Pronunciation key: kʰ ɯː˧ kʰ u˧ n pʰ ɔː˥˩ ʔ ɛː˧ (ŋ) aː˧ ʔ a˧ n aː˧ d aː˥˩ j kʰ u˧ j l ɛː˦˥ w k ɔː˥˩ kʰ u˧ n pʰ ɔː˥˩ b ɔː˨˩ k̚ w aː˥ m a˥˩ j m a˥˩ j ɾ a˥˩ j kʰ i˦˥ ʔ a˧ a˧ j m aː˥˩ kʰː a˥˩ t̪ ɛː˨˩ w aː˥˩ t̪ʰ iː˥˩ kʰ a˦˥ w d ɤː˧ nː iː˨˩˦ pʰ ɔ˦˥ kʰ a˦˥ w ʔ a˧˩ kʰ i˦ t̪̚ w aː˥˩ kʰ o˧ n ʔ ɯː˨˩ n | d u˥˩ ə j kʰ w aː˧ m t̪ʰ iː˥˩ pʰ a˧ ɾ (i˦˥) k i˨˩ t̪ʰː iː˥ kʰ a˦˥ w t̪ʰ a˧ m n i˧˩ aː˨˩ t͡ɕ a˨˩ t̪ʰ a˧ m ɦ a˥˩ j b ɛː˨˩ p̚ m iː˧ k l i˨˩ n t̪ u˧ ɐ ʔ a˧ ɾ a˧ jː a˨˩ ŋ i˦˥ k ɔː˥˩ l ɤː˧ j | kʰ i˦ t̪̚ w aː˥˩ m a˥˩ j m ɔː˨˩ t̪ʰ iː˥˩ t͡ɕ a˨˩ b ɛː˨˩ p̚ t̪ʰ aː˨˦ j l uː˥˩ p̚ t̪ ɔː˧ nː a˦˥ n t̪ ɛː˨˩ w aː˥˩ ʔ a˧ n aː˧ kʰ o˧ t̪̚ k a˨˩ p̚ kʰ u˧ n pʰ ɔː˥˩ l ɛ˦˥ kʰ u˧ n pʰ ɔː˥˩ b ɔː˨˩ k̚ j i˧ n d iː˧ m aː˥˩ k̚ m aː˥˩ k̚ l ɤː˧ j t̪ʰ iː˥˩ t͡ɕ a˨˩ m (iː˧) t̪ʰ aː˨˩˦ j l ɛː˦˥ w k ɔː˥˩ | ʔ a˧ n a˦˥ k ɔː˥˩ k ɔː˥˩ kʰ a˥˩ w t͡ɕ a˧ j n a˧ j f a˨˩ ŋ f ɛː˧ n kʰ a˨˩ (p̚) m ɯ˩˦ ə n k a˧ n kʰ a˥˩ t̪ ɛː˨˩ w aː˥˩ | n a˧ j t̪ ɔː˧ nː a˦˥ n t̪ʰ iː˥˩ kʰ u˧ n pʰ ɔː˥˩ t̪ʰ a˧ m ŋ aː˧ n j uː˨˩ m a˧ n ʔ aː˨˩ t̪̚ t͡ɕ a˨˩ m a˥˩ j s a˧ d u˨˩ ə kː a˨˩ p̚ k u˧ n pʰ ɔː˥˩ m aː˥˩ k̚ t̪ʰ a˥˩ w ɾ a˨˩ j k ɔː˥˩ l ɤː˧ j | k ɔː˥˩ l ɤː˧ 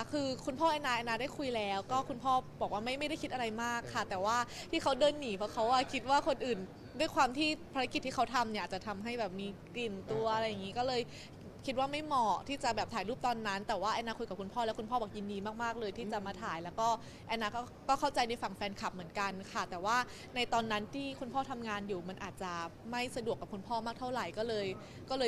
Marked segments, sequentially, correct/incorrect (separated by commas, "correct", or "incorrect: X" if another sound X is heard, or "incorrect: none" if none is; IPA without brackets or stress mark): incorrect: n, incorrect: a˦˥, incorrect: aː˧, correct